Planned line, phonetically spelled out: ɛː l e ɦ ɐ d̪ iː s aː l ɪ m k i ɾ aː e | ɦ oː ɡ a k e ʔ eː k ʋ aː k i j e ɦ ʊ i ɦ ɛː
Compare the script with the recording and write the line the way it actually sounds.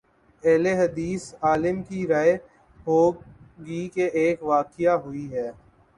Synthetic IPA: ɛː l e ɦ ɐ d̪ iː s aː l ɪ m k i ɾ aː e | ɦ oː ɡ i k e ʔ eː k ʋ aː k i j a ɦ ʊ i ɦ ɛː